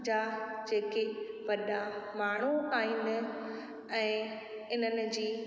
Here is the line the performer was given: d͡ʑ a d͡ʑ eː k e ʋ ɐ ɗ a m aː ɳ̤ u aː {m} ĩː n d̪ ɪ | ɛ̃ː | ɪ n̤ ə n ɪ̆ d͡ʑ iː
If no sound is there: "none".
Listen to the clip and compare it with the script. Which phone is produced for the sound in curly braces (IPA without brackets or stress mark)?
none